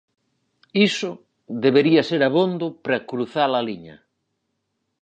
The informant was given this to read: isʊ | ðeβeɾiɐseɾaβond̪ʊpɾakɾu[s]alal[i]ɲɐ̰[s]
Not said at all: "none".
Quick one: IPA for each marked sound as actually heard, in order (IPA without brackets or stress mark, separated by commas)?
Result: θ, i, none